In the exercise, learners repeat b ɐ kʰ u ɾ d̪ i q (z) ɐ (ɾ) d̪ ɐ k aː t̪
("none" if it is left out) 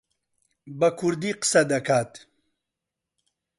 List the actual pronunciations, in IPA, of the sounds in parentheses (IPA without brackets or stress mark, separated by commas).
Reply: s, none